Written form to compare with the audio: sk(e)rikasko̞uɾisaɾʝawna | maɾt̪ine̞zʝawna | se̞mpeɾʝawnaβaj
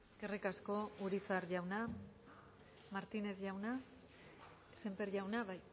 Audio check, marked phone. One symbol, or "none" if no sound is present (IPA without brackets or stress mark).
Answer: e